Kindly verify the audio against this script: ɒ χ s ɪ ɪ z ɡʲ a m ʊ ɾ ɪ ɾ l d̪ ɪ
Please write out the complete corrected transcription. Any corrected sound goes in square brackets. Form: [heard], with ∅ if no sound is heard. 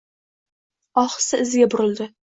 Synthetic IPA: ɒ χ s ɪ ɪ z ɡʲ a [b] ʊ ɾ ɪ [∅] l d̪ ɪ